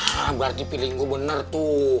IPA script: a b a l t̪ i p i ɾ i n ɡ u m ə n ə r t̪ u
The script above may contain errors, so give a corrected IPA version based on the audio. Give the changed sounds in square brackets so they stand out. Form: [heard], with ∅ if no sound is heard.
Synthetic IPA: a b a [r] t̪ i p i [l] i [ŋ] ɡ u [b] ə n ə r t̪ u